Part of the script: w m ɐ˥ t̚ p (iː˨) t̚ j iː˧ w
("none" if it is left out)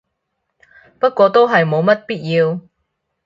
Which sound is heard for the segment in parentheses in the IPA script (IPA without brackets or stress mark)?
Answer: iː˥